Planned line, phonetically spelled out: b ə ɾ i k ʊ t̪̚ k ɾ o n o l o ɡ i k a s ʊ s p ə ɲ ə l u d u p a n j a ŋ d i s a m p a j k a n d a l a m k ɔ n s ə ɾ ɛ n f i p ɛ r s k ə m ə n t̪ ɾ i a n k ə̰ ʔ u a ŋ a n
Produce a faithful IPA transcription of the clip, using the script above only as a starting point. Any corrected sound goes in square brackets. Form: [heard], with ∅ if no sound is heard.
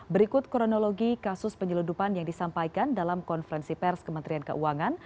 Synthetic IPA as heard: b ə ɾ i k ʊ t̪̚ k ɾ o n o l o ɡ i k a s ʊ s p ə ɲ ə l u d u p a n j a ŋ d i s a m p a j k a n d a l a m k ɔ n [f] ə ɾ ɛ n [s] i p ɛ r s k ə m ə n t̪ ɾ i a n k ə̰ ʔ u a ŋ a n